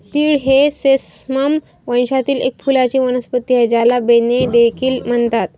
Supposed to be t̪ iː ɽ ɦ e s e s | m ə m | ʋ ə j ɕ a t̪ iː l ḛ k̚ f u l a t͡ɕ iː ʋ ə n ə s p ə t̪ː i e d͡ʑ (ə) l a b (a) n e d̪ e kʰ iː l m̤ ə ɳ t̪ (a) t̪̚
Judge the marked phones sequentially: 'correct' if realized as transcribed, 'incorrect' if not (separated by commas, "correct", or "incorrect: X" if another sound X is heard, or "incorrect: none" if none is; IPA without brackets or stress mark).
incorrect: a, incorrect: e, correct